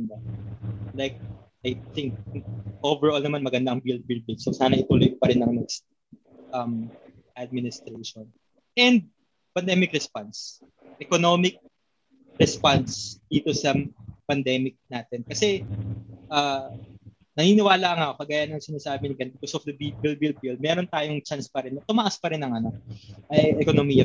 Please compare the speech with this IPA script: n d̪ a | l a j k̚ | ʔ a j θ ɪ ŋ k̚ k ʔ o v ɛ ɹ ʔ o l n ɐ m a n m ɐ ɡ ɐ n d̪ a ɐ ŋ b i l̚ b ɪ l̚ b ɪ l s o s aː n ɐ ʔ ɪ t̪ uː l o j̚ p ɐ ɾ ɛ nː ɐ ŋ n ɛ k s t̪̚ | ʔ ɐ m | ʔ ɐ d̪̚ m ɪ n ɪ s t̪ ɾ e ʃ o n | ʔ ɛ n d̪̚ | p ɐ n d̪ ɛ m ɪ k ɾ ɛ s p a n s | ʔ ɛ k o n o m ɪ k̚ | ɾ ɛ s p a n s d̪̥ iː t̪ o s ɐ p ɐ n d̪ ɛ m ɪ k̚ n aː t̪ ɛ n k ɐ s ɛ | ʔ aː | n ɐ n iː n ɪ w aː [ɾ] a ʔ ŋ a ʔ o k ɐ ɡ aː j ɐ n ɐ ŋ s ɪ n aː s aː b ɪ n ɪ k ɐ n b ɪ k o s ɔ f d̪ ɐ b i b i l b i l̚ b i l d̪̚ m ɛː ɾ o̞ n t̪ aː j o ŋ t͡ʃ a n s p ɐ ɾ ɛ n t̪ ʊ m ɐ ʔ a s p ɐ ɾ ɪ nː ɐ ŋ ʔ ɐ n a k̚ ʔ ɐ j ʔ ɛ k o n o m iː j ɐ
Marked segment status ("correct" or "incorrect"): incorrect